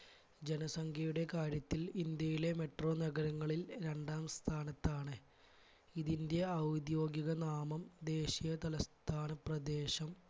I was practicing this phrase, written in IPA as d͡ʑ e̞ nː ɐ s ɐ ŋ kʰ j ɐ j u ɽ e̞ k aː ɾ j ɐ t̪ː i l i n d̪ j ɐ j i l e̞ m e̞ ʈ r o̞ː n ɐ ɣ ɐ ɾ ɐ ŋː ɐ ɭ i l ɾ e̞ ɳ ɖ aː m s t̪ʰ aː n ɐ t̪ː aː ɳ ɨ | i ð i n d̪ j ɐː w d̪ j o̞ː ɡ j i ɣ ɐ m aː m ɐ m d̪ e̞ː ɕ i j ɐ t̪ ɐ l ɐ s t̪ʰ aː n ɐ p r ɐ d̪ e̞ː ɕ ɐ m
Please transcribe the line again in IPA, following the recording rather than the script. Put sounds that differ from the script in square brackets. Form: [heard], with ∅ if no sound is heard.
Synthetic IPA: d͡ʑ e̞ [n] ɐ s ɐ ŋ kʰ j ɐ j u ɽ e̞ k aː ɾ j ɐ t̪ː i l i n d̪ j ɐ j i l e̞ m e̞ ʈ r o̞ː n ɐ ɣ ɐ ɾ ɐ ŋː ɐ ɭ i l ɾ e̞ ɳ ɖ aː m s t̪ʰ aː n ɐ t̪ː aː ɳ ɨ | i ð i n d̪ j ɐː w d̪ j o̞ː ɡ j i ɣ ɐ [n] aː m ɐ m d̪ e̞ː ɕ i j ɐ t̪ ɐ l ɐ s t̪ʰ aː n ɐ p r ɐ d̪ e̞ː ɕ ɐ m